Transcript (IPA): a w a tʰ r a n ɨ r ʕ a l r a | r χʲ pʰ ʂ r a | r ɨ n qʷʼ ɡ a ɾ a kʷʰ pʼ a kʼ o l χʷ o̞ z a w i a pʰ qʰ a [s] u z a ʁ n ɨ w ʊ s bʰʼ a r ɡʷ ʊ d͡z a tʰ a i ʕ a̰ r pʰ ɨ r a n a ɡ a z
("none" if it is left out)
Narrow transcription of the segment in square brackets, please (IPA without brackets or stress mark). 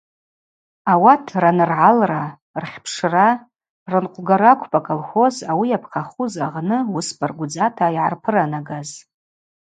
χ